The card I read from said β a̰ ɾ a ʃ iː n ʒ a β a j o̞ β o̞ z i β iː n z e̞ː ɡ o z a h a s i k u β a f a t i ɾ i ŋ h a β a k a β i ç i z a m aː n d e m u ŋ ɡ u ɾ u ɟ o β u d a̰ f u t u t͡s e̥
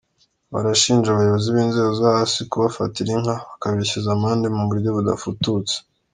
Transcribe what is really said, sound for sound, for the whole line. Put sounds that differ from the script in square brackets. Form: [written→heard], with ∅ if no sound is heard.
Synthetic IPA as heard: β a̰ ɾ a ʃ iː n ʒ a β a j o̞ β o̞ z i β iː n z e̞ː ɡ o z a h a s i k u β a f a t i ɾ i ŋ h a β a k a β i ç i z a m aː n d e m u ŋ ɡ u ɾ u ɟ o β u d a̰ f u t u t͡s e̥